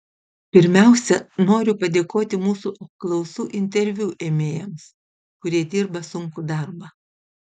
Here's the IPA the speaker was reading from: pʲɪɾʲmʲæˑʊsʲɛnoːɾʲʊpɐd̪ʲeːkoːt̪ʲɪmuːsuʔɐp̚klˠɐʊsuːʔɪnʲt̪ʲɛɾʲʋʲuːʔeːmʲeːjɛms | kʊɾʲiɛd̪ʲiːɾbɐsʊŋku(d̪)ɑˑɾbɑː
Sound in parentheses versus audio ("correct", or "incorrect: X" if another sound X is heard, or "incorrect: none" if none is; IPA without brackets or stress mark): correct